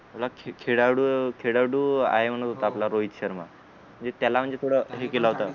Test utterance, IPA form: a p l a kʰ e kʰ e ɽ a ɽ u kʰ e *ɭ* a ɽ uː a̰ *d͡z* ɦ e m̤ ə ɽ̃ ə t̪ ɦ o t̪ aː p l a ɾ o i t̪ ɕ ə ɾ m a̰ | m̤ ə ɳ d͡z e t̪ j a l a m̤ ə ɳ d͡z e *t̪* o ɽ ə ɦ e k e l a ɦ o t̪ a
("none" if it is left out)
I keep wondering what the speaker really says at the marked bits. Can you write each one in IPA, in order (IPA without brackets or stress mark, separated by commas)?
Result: ɽ, none, t̪ʰ